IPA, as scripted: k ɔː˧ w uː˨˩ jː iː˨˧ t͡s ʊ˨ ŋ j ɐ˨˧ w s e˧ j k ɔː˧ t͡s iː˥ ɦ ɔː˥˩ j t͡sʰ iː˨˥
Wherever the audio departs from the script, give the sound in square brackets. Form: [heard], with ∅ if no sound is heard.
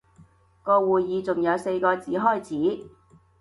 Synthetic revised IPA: k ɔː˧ w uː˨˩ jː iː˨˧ t͡s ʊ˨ ŋ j ɐ˨˧ w s e˧ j k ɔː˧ t͡s [iː˨˥] ɦ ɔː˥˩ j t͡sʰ iː˨˥